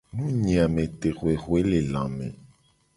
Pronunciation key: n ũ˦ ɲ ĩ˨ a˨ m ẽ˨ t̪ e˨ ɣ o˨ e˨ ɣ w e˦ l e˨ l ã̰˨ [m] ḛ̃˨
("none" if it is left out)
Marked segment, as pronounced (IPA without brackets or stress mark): m